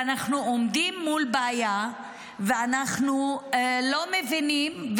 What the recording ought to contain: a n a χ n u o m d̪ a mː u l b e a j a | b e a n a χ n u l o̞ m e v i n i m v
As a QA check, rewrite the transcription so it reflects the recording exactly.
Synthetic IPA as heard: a n a χ n u o m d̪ i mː u l b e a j a | v e a n a χ n u l o̞ m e v i n i m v